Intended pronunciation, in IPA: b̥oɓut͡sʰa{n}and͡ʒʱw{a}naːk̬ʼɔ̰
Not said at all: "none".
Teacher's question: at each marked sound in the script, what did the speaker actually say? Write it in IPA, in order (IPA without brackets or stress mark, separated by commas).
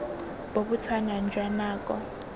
n, a